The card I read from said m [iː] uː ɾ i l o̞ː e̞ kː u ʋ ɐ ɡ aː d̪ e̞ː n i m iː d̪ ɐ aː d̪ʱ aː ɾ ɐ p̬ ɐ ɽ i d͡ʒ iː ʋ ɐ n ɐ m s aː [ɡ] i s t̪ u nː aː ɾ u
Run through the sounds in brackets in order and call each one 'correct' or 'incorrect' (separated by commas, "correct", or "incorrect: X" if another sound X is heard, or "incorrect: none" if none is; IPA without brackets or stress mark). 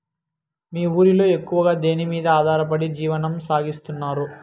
correct, correct